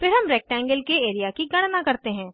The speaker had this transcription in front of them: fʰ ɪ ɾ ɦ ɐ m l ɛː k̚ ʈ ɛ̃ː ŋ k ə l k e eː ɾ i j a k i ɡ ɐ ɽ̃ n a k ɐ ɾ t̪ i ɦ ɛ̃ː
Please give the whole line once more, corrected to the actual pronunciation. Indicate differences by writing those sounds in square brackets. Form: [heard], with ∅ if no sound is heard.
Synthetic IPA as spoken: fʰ ɪ ɾ ɦ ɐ m [ɾ] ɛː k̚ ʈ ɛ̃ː ŋ [ɡ] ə l k e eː ɾ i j a k i ɡ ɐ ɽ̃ n a k ɐ ɾ t̪ [e] ɦ ɛ̃ː